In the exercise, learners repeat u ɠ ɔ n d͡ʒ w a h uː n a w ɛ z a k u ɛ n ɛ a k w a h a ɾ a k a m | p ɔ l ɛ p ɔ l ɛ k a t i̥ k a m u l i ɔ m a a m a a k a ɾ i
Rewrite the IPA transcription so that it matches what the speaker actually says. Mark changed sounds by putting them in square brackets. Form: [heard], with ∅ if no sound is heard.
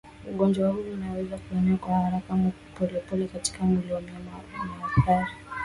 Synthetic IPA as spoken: u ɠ ɔ n d͡ʒ w a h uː n a w ɛ z a k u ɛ n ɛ a k w a h a ɾ a k a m | p ɔ l ɛ p ɔ l ɛ k a t i̥ k a m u l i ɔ m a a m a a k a ɾ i